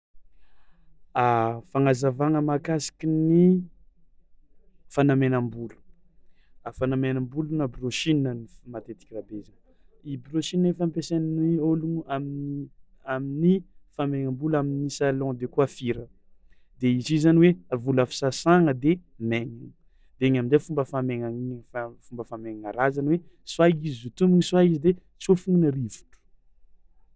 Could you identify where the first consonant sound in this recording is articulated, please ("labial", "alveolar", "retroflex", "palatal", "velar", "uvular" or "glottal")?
labial